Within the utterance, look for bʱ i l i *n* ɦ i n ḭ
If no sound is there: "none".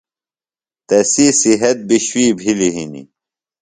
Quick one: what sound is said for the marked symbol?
none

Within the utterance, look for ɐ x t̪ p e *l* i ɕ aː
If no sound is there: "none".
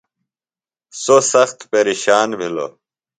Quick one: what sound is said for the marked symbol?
ɾ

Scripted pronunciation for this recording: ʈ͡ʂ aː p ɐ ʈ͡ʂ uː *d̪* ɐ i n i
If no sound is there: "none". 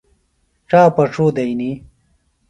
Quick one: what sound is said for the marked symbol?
d̪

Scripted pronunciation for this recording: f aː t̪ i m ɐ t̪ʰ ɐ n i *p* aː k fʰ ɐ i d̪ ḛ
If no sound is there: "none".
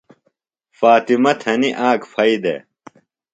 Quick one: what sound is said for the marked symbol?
ʔ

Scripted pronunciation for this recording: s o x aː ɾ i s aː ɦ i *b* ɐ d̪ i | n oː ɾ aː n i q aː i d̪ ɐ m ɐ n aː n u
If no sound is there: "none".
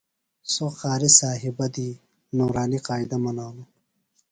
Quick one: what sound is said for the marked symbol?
b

